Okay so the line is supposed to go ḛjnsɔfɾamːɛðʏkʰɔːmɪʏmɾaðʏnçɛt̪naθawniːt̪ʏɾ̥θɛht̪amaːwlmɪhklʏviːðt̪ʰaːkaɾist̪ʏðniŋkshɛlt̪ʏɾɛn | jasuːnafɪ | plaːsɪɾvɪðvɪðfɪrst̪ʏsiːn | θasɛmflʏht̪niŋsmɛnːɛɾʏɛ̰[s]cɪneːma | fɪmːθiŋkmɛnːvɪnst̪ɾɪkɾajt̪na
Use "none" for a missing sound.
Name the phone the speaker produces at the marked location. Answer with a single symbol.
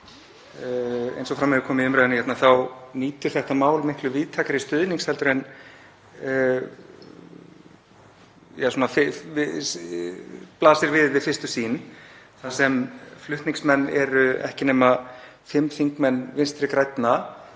h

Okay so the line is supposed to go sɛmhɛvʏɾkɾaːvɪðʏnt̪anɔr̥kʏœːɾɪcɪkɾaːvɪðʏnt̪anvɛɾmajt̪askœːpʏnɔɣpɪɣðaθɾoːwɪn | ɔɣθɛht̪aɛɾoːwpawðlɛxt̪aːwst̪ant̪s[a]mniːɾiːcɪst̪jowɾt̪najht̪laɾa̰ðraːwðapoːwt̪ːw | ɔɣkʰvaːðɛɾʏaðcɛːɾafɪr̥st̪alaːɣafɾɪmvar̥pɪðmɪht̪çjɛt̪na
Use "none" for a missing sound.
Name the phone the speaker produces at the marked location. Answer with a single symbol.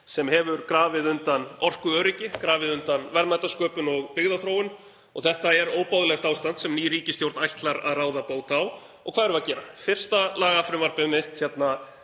ɛ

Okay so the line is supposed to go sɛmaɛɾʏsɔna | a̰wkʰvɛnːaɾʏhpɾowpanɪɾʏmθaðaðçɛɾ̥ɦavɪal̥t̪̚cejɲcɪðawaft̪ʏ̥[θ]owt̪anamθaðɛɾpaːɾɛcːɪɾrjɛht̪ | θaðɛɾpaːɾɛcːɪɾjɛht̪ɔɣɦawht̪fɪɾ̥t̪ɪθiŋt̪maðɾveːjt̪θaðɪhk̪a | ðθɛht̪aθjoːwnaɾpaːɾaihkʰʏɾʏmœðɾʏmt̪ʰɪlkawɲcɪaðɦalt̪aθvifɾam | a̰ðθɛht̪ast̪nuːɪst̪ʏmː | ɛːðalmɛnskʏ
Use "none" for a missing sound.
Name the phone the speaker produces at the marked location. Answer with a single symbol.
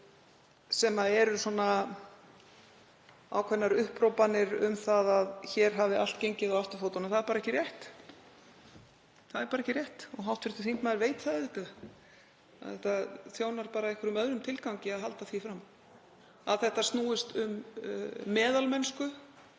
f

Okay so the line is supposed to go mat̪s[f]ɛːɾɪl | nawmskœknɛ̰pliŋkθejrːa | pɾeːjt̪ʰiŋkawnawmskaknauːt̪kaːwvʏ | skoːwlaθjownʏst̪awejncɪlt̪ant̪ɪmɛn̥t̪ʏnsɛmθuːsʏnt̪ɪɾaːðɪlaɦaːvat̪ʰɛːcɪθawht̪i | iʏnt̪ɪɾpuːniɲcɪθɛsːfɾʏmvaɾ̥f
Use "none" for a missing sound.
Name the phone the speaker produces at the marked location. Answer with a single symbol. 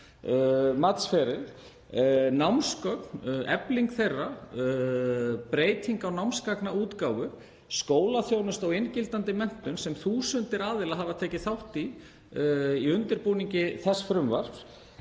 f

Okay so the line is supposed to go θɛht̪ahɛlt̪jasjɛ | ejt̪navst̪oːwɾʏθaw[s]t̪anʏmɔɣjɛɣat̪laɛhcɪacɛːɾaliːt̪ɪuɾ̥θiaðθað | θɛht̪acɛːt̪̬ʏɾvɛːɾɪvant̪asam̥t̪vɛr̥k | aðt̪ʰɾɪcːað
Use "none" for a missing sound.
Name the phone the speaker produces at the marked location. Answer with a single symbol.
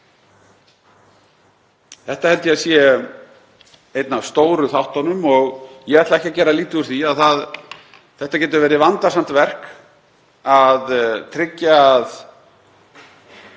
h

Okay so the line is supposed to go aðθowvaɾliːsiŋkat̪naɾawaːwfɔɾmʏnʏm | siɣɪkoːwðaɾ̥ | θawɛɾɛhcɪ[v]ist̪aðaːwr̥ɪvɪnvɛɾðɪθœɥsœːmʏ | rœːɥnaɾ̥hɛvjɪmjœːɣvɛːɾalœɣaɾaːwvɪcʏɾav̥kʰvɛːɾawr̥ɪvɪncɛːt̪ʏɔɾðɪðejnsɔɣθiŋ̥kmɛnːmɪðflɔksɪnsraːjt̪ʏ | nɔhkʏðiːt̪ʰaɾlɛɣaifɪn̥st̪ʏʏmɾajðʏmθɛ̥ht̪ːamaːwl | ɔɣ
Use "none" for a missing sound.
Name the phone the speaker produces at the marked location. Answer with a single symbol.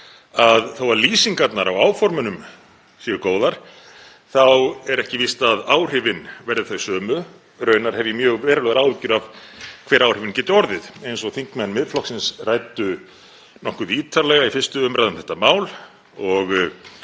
v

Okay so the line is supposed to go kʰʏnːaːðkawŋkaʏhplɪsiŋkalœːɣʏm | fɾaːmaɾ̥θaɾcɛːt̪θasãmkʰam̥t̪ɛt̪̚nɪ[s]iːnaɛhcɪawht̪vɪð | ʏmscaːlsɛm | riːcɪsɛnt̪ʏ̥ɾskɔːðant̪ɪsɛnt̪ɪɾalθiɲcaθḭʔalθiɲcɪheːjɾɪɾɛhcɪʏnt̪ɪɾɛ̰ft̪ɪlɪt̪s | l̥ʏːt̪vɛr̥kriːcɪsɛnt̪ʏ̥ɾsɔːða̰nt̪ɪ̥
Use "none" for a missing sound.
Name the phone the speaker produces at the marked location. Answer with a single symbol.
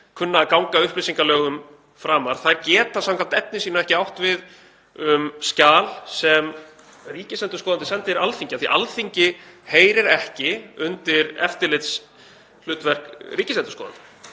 s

